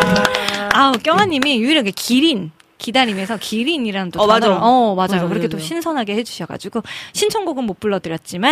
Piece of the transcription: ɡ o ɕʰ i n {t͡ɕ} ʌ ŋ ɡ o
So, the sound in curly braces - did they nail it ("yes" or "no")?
no